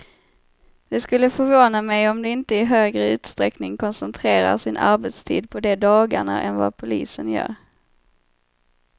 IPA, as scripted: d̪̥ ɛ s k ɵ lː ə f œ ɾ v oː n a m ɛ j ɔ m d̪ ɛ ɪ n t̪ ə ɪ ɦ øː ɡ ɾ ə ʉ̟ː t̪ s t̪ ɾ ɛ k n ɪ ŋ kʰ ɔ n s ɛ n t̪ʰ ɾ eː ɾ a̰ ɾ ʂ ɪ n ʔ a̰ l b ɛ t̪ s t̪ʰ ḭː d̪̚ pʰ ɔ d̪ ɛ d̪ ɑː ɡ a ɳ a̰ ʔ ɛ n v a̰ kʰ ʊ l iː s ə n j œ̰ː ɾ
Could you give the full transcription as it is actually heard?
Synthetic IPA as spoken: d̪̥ ɛ s k ɵ lː ə f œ ɾ v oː n a m ɛ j ɔ m d̪ ɛ ɪ n t̪ ə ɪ ɦ øː ɡ ɾ ə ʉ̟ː t̪ s t̪ ɾ ɛ k n ɪ ŋ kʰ ɔ n s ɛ n t̪ʰ ɾ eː ɾ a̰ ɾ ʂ ɪ n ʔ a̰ ɾ b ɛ t̪ s t̪ʰ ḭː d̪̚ pʰ ɔ d̪ ɛ d̪ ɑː ɡ a ɳ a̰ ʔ ɛ n v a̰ pʰ ʊ l iː s ə n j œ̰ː ɾ